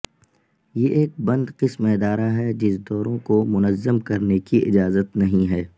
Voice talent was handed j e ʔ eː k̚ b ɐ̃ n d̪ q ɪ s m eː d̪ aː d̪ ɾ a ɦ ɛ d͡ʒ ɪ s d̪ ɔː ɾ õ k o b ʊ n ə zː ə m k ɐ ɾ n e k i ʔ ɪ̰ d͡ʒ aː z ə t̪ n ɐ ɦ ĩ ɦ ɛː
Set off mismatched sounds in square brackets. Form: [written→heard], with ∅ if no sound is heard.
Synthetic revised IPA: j e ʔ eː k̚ b ɐ̃ n d̪ q ɪ s m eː d̪ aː [d̪→∅] ɾ a ɦ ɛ d͡ʒ ɪ s d̪ ɔː ɾ õ k o [b→m] ʊ n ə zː ə m k ɐ ɾ n e k i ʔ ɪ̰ d͡ʒ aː z ə t̪ n ɐ ɦ ĩ ɦ ɛː